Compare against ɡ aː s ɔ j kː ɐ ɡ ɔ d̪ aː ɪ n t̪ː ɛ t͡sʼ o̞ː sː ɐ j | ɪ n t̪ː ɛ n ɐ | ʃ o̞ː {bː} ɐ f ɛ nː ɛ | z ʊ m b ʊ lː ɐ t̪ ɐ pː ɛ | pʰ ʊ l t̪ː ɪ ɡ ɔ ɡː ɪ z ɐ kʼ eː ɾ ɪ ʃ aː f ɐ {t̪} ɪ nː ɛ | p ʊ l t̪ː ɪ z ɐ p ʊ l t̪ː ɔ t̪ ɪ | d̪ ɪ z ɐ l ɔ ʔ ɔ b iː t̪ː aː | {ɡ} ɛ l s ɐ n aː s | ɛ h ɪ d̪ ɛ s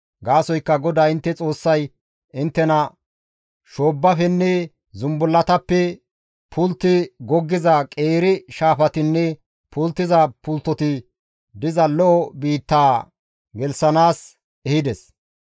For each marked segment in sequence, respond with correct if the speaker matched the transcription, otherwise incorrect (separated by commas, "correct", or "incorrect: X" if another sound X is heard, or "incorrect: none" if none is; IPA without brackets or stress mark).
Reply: correct, correct, correct